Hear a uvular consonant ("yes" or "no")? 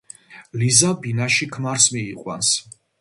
yes